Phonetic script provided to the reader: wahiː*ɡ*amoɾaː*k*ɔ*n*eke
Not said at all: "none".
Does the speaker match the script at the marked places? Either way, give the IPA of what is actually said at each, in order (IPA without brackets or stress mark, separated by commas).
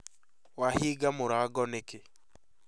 ɡ, ɡ, n